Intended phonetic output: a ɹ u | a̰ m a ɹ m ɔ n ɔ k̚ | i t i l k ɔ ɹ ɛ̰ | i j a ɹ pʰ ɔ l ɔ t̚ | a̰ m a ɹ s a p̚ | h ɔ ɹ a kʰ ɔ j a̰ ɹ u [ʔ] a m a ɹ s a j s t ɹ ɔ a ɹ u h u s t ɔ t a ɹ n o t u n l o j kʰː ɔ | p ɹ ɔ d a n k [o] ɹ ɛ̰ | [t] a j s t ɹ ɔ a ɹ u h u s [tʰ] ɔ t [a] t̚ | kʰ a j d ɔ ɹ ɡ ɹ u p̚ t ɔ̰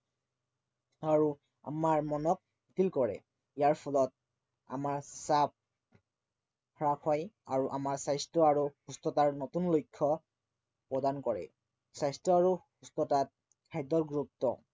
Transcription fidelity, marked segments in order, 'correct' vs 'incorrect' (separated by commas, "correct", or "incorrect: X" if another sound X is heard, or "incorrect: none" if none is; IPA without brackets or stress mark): correct, incorrect: ɔ, incorrect: s, incorrect: t, correct